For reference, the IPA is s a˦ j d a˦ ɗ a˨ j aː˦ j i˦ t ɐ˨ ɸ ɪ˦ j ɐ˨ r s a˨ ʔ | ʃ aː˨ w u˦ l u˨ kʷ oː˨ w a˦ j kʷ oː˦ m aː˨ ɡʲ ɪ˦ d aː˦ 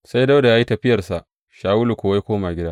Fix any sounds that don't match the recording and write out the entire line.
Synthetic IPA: s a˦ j d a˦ d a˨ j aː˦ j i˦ t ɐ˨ ɸ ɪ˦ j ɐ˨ r s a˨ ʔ | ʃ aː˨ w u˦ l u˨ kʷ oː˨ w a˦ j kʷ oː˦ m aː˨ ɡʲ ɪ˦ d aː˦